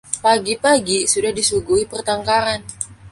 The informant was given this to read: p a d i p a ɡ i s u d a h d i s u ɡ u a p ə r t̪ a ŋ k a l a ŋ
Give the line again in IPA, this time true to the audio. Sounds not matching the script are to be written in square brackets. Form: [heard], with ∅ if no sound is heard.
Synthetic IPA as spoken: p a [ɡ] i p a ɡ i s u d a h d i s u ɡ u [i] p ə r t̪ a ŋ k a [ɾ] a [n]